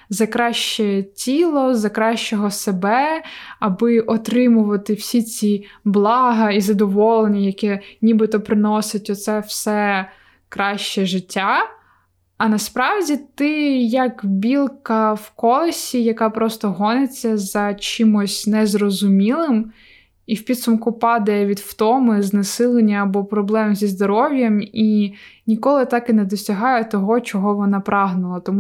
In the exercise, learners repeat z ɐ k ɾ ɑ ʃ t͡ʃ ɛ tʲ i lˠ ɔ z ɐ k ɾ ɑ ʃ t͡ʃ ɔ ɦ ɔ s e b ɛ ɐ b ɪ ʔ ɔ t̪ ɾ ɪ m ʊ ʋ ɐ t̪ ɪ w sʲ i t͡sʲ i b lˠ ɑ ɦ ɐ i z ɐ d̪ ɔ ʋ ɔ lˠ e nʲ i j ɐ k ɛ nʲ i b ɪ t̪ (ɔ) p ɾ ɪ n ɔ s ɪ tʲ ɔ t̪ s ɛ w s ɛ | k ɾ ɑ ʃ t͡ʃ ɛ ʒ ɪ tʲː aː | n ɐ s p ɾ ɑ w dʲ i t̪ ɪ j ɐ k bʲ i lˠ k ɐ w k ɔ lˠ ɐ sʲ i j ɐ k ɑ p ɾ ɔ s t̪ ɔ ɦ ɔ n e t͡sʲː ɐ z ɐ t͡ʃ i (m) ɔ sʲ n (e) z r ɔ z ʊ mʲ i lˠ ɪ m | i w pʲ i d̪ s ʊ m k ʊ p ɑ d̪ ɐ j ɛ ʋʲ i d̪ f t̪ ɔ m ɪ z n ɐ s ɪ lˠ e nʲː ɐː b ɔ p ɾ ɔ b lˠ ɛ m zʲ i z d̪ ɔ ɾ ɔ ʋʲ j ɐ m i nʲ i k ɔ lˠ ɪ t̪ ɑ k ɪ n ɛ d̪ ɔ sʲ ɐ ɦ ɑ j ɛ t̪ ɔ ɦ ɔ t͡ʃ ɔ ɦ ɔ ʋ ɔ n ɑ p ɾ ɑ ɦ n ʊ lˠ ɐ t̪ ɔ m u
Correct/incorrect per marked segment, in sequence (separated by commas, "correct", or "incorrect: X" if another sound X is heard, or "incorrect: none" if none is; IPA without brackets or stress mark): correct, correct, incorrect: ɛ